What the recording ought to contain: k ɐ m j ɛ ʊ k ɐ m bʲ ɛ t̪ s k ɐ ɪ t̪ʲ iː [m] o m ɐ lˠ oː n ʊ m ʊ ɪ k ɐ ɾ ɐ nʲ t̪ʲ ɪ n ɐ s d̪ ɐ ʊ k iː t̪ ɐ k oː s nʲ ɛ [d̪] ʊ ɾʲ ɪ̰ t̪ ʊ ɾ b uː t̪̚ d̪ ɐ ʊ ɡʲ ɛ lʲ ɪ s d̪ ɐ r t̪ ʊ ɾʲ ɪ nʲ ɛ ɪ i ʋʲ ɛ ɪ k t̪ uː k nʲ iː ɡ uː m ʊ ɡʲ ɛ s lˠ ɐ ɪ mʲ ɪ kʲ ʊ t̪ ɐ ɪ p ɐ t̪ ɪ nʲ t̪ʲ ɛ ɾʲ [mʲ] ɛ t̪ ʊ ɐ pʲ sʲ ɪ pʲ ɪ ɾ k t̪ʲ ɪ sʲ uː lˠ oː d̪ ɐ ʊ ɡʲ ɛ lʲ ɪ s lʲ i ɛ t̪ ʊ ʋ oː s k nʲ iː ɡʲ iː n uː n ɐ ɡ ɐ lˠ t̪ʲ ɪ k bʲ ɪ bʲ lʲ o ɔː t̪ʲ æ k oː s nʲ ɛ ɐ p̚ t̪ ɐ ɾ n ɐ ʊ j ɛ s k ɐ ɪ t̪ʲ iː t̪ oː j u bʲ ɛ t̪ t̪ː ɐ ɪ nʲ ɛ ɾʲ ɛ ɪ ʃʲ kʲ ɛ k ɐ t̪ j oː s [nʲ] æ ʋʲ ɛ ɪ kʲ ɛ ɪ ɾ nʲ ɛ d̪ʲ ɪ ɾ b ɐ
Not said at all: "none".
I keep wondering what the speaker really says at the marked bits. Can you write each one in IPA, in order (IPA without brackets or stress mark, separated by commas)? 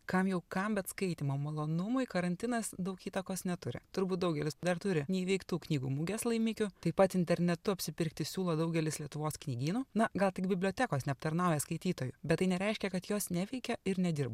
m, t̪, nʲ, nʲ